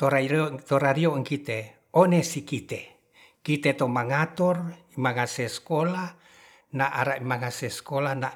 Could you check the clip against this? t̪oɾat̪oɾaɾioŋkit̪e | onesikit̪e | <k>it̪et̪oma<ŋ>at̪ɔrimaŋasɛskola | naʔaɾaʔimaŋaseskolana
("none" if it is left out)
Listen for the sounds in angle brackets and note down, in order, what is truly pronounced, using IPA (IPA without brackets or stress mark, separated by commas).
k, ŋ